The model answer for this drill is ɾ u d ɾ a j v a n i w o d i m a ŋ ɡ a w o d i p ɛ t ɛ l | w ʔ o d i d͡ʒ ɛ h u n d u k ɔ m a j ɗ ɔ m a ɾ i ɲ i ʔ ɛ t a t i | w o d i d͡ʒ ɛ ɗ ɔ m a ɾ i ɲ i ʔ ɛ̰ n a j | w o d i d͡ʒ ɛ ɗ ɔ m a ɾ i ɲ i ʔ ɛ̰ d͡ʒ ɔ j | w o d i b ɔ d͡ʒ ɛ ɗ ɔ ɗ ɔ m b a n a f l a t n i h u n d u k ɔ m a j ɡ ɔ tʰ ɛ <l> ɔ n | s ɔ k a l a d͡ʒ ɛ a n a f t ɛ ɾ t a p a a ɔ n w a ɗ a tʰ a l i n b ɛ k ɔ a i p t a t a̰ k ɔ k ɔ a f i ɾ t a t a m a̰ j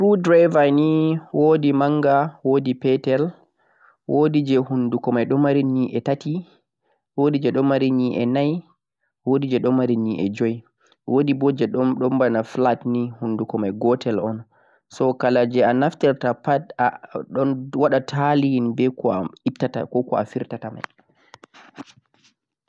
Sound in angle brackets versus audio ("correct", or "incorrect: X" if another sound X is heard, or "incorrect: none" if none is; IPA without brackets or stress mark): correct